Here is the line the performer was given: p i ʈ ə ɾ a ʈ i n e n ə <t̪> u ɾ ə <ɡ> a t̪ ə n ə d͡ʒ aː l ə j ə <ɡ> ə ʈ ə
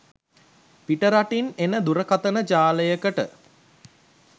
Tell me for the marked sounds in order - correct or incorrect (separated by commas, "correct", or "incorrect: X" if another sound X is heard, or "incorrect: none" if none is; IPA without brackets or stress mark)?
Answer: incorrect: d̪, incorrect: k, incorrect: k